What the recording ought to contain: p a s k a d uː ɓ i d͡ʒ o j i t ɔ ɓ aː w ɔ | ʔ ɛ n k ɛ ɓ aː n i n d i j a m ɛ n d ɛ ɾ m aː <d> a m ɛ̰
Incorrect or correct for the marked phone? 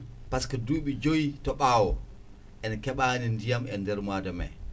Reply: correct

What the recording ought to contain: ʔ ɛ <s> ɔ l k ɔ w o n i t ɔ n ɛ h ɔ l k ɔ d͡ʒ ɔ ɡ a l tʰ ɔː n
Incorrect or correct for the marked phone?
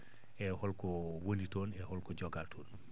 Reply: incorrect: h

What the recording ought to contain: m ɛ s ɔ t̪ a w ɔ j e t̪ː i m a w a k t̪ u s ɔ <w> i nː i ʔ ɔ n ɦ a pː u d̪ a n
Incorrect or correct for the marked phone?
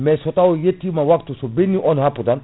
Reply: incorrect: b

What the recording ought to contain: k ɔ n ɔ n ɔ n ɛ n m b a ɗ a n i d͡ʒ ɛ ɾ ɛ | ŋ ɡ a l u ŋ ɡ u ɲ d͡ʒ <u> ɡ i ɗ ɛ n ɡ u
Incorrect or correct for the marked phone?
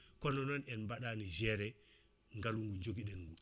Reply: incorrect: o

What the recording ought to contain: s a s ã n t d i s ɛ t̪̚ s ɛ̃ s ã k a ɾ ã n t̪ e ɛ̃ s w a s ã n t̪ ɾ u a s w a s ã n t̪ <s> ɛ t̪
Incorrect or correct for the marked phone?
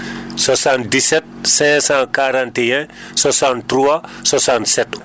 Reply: correct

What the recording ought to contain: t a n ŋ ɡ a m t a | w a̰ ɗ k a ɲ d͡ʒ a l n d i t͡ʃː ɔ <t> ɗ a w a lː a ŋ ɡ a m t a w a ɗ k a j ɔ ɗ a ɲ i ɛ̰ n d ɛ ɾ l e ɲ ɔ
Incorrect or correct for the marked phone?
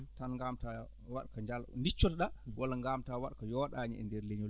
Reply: correct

